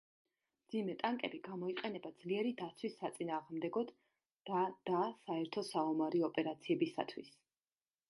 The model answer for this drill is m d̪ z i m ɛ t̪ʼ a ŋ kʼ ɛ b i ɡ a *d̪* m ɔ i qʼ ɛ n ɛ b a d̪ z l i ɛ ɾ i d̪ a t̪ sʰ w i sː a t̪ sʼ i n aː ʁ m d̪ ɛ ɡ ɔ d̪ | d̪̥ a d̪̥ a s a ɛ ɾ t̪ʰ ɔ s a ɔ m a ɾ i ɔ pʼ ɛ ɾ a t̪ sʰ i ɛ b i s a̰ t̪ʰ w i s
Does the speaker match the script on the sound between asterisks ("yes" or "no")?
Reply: no